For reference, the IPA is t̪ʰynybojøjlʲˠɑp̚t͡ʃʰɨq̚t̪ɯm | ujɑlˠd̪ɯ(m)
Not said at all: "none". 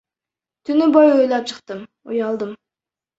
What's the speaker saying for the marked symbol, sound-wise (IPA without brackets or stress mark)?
m